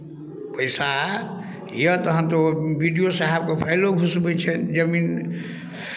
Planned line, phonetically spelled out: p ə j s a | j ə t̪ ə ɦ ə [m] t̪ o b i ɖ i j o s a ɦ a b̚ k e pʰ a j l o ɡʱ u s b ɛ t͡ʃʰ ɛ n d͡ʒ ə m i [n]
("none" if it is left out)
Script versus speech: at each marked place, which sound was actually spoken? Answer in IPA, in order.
n, n

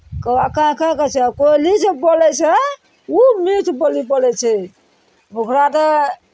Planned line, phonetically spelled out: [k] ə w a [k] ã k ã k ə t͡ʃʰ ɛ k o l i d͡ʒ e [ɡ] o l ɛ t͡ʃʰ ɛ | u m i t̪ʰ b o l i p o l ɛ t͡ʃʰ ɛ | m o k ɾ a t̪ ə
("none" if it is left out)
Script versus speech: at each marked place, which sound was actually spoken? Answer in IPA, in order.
k, k, b

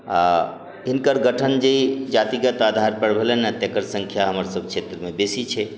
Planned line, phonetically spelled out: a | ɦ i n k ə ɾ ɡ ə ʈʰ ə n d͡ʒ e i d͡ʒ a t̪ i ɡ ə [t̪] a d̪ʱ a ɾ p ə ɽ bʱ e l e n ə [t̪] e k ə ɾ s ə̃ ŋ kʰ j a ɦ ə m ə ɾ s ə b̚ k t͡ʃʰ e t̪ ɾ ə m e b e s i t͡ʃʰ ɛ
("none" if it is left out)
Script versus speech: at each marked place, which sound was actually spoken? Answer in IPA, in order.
t̪, t̪

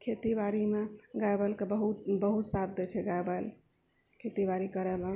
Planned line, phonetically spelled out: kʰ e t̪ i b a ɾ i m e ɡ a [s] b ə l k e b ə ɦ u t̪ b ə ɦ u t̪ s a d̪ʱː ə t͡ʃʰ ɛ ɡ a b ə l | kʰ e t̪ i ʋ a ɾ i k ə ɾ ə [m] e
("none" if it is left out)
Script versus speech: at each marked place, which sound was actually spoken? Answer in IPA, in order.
none, m

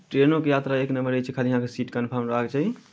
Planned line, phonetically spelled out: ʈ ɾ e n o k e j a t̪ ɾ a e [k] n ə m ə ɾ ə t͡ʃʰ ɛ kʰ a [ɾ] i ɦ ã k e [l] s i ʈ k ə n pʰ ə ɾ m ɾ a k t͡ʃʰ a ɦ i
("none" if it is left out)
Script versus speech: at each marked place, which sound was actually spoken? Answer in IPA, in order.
k, l, none

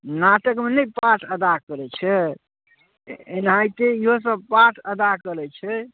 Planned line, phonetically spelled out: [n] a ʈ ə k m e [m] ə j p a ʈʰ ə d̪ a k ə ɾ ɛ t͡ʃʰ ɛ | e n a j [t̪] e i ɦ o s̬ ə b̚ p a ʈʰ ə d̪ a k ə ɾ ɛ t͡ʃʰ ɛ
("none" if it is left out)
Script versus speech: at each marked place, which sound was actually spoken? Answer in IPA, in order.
n, n, t̪

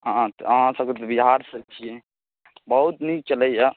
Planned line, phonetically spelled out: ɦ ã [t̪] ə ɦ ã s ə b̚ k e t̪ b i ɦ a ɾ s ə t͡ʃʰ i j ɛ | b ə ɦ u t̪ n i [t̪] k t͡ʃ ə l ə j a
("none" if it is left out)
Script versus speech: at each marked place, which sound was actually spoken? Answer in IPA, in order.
t̪, none

